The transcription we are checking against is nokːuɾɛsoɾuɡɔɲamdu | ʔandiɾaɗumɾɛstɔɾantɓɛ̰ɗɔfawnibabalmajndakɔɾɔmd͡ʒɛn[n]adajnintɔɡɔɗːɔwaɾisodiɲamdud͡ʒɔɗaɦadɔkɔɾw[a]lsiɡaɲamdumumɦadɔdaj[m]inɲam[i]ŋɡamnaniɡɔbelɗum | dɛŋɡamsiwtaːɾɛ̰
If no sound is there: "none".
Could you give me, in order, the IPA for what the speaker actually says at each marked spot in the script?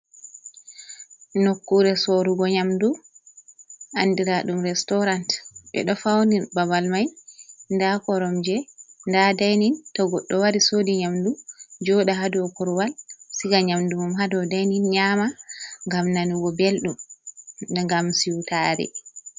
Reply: d, a, n, a

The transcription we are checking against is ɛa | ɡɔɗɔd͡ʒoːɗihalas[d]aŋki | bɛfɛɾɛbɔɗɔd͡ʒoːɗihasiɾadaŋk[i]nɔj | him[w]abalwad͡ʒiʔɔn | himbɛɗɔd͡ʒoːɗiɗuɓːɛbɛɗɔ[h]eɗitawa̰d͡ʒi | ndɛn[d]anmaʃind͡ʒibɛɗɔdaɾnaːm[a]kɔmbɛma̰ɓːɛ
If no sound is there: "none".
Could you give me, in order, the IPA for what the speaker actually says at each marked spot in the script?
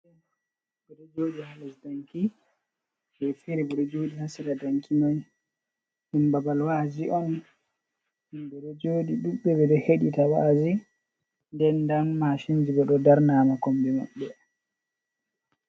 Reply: d, i, b, h, d, a

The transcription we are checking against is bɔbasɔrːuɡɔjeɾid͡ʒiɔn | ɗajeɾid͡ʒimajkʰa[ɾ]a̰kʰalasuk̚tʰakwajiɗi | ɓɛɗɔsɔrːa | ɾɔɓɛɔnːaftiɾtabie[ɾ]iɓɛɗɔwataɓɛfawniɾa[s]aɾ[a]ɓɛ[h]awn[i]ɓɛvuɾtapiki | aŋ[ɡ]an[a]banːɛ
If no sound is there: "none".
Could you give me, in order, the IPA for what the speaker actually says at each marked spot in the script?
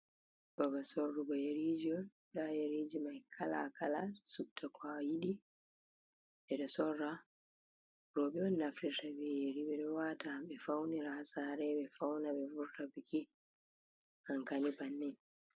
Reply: l, ɾ, s, ɛ, f, a, k, i

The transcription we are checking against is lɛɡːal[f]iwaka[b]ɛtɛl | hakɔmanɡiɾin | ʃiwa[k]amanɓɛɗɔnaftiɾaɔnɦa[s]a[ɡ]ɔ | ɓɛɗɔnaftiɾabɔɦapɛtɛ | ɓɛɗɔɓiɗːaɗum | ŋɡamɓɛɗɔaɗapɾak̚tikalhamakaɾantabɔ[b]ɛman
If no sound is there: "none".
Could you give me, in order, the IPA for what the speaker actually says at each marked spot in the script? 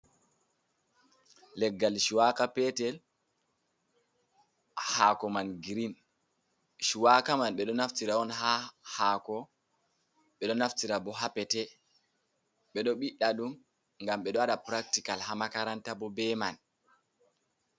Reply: ʃ, p, k, h, k, b

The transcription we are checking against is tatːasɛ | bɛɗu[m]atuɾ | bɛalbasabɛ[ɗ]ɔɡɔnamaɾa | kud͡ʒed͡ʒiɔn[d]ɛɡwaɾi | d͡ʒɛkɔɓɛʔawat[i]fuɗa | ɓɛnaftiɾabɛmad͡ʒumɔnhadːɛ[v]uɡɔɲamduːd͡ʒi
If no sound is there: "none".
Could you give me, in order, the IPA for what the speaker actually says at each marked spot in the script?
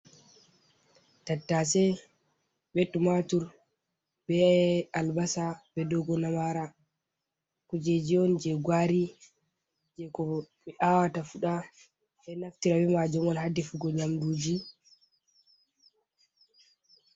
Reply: m, d, d͡ʒ, a, f

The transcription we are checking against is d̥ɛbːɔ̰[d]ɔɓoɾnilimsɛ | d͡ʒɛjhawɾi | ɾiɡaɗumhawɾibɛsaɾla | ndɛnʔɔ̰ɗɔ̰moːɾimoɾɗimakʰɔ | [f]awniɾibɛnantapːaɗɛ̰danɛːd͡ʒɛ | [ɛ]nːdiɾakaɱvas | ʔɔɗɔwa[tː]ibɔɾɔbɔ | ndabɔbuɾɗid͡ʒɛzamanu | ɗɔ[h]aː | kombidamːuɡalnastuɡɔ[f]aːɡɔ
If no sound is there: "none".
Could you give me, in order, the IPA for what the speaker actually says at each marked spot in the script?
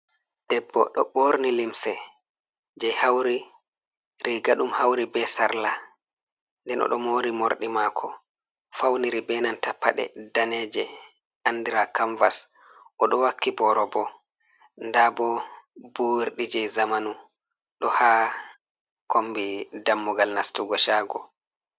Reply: ɗ, f, a, kː, h, ʃ

